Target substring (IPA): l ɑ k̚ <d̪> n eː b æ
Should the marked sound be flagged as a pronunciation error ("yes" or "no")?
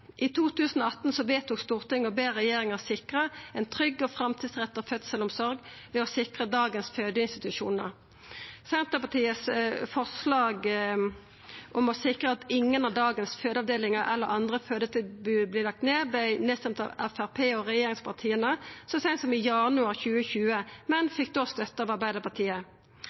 yes